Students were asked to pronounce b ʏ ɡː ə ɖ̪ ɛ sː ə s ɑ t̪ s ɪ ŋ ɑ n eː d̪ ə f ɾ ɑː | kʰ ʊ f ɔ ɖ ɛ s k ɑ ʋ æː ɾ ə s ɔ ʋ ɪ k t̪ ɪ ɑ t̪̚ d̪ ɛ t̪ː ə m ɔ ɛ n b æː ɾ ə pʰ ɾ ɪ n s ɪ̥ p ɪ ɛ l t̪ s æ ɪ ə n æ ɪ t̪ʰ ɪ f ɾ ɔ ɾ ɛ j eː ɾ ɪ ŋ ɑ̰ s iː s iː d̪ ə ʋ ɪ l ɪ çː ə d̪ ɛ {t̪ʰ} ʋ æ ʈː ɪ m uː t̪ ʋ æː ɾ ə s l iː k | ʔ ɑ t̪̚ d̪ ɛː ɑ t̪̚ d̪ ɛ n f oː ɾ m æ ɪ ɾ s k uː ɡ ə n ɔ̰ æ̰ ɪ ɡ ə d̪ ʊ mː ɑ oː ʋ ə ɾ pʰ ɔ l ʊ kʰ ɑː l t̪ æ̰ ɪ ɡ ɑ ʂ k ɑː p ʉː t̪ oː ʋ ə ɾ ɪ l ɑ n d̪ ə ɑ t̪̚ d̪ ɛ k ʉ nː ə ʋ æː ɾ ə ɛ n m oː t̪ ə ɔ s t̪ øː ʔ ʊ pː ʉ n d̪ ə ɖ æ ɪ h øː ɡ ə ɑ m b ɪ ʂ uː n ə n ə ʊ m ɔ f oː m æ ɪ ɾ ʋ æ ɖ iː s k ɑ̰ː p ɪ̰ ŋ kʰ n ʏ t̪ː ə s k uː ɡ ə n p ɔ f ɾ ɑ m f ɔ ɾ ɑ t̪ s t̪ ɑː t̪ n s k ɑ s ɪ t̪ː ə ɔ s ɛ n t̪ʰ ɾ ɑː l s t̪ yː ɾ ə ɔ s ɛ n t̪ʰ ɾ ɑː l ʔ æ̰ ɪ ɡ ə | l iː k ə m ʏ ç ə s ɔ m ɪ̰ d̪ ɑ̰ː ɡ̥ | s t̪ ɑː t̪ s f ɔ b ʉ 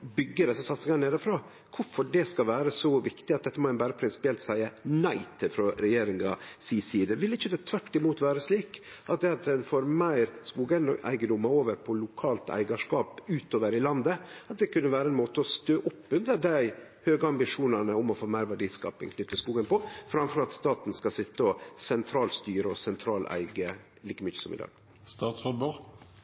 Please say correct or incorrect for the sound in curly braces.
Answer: correct